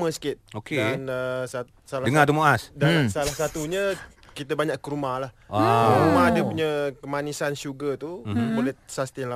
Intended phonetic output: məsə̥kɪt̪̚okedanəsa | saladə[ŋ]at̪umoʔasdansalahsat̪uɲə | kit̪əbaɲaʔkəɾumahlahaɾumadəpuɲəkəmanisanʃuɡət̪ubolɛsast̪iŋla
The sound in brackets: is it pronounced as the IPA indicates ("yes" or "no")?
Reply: yes